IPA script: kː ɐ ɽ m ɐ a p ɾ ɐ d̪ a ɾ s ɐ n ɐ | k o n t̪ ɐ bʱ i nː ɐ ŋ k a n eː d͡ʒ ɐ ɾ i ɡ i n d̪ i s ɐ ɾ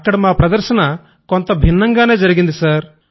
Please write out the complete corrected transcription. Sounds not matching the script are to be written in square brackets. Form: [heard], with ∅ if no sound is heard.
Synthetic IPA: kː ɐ ɽ m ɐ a p ɾ ɐ d̪ [ɐ] ɾ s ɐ n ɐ | k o n t̪ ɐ bʱ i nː ɐ ŋ [ɡ] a n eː d͡ʒ ɐ ɾ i ɡ i n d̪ i s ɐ ɾ